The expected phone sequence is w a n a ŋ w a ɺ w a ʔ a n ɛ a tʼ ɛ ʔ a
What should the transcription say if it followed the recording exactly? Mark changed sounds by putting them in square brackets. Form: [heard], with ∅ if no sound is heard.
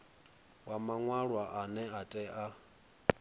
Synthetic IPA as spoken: w a [m] a ŋ w a ɺ w a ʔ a n ɛ a tʼ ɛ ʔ a

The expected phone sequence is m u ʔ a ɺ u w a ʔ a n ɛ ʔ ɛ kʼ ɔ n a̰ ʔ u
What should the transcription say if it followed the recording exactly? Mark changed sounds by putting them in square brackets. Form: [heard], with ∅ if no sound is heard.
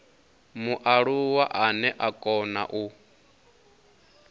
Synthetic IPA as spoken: m u ʔ a ɺ u w a ʔ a n ɛ ʔ [a] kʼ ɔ n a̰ ʔ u

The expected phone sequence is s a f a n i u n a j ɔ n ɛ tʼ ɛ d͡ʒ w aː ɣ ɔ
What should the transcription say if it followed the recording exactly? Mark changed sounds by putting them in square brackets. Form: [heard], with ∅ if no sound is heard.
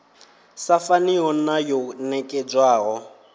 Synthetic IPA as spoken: s a f a n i [ɔ] n a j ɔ n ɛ [kʼ] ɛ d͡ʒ w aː ɣ ɔ

